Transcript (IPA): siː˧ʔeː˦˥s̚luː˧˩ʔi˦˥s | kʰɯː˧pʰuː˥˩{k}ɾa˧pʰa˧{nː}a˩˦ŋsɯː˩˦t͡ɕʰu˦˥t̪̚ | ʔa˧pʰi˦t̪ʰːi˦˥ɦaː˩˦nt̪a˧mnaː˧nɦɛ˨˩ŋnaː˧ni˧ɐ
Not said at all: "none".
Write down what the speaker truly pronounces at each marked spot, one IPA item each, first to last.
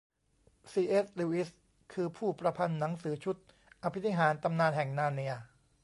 p, nː

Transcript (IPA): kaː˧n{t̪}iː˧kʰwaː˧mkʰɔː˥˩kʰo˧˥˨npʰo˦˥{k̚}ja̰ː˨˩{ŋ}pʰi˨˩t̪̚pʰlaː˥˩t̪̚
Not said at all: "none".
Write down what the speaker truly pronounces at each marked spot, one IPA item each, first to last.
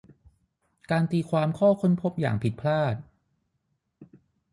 t̪, p̚, ŋ

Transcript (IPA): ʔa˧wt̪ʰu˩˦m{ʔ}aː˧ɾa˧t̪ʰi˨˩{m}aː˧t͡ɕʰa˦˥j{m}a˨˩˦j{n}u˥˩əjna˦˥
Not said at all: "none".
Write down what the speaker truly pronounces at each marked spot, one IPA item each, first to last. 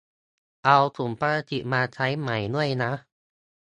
p, m, m, n

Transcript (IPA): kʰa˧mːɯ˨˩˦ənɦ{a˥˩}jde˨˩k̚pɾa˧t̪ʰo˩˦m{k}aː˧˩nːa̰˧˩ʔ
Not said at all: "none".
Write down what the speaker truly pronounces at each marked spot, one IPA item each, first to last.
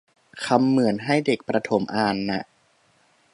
a˥˩, ʔ

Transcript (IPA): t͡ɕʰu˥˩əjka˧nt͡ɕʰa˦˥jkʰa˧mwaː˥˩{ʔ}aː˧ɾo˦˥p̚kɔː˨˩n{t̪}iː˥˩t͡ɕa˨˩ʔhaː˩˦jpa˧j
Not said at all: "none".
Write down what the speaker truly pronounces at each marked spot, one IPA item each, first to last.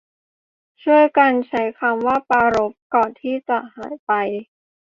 p, t̪ʰ

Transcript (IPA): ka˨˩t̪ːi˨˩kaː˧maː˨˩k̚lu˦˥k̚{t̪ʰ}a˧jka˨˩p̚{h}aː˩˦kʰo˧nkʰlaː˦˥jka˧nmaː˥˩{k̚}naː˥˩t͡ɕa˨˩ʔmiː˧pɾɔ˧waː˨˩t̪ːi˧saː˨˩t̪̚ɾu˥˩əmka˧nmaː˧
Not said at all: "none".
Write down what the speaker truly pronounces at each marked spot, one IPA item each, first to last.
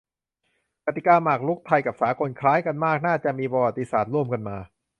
t̪ʰ, s, k̚

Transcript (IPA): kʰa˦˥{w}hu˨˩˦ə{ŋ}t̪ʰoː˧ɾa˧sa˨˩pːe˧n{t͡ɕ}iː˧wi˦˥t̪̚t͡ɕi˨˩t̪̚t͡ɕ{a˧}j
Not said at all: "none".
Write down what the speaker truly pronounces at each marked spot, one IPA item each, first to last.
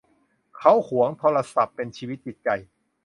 w, ŋ, t͡ɕʰ, a˨˩

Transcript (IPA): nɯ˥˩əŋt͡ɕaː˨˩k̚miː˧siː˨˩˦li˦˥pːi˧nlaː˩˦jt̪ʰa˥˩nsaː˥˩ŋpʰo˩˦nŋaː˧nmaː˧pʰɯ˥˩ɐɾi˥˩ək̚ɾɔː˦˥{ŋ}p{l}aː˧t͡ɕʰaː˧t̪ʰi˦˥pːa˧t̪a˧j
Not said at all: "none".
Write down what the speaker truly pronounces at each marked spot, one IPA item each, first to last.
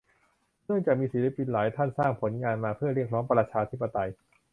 ŋ, ɾ

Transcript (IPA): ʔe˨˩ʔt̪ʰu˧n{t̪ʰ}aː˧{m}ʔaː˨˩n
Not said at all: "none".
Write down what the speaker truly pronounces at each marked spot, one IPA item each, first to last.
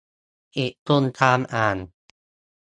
t̪ʰ, m

